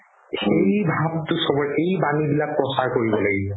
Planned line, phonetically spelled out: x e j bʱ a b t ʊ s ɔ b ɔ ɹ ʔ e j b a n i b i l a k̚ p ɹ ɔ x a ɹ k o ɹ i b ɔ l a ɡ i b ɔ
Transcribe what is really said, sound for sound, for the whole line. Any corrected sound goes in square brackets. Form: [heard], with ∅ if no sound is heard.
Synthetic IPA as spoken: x e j bʱ a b t ʊ s ɔ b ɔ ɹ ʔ e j b a n i b i l a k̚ p ɹ ɔ [s] a ɹ k o ɹ i b ɔ l a ɡ i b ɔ